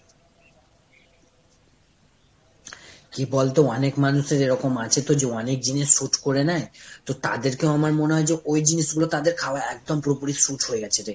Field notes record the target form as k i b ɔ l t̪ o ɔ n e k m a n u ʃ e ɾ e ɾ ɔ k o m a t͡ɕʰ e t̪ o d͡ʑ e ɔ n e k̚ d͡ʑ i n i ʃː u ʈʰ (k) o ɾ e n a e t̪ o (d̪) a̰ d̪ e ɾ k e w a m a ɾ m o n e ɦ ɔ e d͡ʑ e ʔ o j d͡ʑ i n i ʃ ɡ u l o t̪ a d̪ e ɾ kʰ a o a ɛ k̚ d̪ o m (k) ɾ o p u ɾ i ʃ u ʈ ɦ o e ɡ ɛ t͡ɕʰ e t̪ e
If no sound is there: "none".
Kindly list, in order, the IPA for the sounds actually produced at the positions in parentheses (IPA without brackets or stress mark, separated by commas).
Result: k, t̪, p